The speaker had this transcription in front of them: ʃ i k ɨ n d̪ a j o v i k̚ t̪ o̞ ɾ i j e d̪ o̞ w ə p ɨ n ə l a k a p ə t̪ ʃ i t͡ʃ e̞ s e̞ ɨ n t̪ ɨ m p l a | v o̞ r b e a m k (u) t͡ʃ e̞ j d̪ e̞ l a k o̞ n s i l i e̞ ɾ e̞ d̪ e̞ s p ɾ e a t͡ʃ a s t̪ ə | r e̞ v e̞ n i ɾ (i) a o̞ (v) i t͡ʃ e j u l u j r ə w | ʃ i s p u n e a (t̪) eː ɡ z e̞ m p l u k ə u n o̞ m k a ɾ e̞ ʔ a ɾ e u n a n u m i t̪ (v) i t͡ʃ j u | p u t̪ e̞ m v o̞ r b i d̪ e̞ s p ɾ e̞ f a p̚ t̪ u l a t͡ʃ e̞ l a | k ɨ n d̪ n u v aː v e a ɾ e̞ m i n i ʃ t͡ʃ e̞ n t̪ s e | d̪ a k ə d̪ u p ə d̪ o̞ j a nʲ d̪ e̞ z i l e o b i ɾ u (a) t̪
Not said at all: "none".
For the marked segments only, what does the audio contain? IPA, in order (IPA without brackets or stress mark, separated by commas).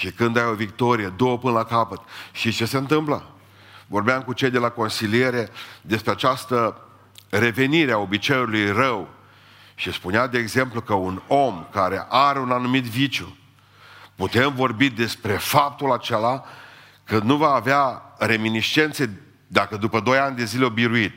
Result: u, e, b, d̪, v, i